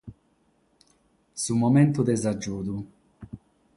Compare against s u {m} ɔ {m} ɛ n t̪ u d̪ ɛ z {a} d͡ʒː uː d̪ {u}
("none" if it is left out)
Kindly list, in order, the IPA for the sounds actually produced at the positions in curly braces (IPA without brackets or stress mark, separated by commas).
m, m, a, u